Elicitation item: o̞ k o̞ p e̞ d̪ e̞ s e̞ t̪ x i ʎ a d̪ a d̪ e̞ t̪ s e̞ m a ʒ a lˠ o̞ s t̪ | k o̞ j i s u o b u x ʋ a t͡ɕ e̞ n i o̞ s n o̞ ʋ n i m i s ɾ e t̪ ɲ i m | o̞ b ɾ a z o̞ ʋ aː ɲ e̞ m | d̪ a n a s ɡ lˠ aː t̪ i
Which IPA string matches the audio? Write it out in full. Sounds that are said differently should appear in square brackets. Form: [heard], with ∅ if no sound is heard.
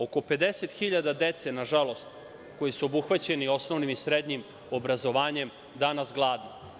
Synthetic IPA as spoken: o̞ k o̞ p e̞ d̪ e̞ s e̞ t̪ x i ʎ a d̪ a d̪ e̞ t̪ s e̞ [n] a ʒ a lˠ o̞ s t̪ | k o̞ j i s u o b u x ʋ a t͡ɕ e̞ n i o̞ s n o̞ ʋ n i m i s ɾ e [d̪] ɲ i m | o̞ b ɾ a z o̞ ʋ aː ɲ e̞ m | d̪ a n a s ɡ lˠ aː [d̪] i

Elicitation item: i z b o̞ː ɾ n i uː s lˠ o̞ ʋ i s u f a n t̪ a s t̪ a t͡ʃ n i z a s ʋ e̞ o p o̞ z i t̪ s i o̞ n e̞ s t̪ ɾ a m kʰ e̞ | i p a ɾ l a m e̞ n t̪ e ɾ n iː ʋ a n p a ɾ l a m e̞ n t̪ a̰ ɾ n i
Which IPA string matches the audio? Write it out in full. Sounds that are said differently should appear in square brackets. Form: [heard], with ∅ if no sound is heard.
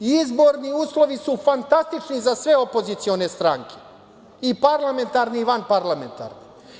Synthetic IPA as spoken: i z b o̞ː ɾ n i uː s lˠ o̞ ʋ i s u f a n t̪ a s t̪ [i] t͡ʃ n i z a s ʋ e̞ o p o̞ z i t̪ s i o̞ n e̞ s t̪ ɾ a [ŋ] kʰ e̞ | i p a ɾ l a m e̞ n t̪ [a] ɾ n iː ʋ a n p a ɾ l a m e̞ n t̪ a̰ ɾ n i

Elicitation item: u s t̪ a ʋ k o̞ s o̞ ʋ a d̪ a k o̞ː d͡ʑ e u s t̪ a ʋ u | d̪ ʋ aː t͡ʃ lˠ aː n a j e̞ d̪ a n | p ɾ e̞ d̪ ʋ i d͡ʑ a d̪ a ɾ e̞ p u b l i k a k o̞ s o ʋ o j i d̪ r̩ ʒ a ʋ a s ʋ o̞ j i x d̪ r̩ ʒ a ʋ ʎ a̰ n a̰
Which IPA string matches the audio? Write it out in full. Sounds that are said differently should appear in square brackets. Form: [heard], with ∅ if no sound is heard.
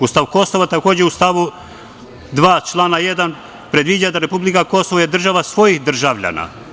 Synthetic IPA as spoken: u s t̪ a ʋ k o̞ s o̞ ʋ a [t̪] a k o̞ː d͡ʑ e u s t̪ a ʋ u | d̪ ʋ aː t͡ʃ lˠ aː n a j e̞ d̪ a n | p ɾ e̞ d̪ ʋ i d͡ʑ a d̪ a ɾ e̞ p u b l i k a k o̞ s o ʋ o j [e] d̪ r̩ ʒ a ʋ a s ʋ o̞ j i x d̪ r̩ ʒ a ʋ ʎ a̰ n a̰

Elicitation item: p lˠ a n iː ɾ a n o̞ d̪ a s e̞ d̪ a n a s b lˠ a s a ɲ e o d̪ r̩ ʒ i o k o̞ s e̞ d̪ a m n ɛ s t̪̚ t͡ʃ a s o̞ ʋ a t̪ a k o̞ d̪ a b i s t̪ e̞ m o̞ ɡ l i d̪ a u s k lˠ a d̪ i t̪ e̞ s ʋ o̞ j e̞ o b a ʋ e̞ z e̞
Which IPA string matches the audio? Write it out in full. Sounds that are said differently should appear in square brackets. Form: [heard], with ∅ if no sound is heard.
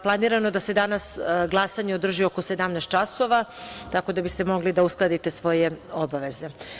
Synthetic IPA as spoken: p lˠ a n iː ɾ a n o̞ d̪ a s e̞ d̪ a n a s [ɡ] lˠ a s a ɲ e o d̪ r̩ ʒ i o k o̞ s e̞ d̪ a m n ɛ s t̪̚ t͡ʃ a s o̞ ʋ a t̪ a k o̞ d̪ a b i s t̪ e̞ m o̞ ɡ l i d̪ a u s k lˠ a d̪ i t̪ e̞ s ʋ o̞ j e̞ o b a ʋ e̞ z e̞

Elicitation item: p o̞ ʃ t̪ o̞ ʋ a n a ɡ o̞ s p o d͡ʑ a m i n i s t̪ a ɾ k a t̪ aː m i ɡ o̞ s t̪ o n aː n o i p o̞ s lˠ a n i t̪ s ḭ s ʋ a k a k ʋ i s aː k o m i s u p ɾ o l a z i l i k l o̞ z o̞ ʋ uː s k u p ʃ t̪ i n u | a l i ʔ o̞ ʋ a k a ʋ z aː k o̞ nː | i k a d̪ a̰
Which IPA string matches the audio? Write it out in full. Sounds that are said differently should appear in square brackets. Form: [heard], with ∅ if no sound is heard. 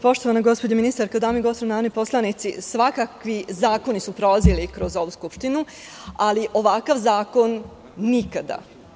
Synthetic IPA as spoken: p o̞ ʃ t̪ o̞ ʋ a n a ɡ o̞ s p o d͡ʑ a m i n i s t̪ a ɾ k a [d̪] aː m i ɡ o̞ s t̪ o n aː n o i p o̞ s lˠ a n i t̪ s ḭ s ʋ a k a k ʋ i [z] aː k o [n] i s u p ɾ o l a z i l i k [ɾ] o̞ z o̞ ʋ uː s k u p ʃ t̪ i n u | a l i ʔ o̞ ʋ a k a ʋ z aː k o̞ nː | i k a d̪ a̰

